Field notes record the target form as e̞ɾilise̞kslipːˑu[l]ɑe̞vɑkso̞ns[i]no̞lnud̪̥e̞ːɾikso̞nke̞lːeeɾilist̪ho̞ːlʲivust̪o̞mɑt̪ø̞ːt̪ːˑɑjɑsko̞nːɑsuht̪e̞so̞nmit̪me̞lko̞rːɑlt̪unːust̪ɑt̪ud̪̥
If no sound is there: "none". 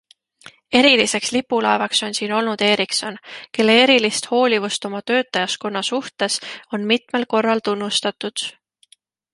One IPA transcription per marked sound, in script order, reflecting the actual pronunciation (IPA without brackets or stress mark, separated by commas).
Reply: l, iː